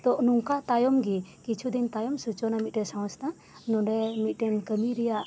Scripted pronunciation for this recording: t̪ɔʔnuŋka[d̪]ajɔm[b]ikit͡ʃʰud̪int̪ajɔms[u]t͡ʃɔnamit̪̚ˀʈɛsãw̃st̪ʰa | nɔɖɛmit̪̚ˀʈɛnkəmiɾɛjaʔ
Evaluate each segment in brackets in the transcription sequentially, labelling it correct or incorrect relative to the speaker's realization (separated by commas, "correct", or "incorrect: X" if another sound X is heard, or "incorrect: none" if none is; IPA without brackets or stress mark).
incorrect: t̪, incorrect: ɡ, correct